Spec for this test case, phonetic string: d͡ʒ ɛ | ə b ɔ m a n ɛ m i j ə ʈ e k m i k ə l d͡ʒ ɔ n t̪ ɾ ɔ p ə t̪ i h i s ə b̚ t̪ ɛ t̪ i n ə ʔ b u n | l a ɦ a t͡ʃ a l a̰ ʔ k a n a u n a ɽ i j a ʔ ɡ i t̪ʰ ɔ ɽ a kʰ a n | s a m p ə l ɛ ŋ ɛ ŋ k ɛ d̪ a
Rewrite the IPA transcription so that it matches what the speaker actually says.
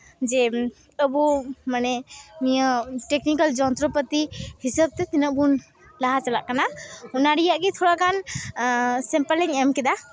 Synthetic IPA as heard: d͡ʒ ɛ | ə b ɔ m a n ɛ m i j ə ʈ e k n i k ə l d͡ʒ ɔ n t̪ ɾ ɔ p ə t̪ i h i s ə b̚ t̪ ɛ t̪ i n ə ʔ b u n | l a ɦ a t͡ʃ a l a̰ ʔ k a n a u n a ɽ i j a ʔ ɡ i t̪ʰ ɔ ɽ a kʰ a n | s ɛ m p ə l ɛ ŋ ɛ m k ɛ d̪ a